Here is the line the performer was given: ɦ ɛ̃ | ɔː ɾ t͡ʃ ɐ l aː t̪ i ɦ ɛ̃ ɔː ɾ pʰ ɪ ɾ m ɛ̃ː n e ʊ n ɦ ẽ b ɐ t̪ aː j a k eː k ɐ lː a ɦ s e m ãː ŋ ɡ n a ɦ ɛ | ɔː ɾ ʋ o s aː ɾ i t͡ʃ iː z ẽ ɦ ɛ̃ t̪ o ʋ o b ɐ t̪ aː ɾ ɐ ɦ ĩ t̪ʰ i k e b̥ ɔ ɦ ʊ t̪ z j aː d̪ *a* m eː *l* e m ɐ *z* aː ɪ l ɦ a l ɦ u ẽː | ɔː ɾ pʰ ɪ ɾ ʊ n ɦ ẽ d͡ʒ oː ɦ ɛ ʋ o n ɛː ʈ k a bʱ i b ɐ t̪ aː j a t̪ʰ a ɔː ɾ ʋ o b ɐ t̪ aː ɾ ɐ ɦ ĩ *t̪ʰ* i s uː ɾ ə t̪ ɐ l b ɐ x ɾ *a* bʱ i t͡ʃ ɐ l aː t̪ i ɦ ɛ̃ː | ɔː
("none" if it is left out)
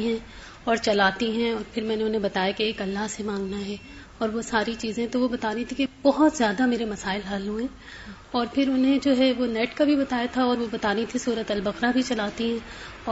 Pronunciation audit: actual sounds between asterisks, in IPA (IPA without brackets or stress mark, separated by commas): a, ɾ, s, t̪ʰ, a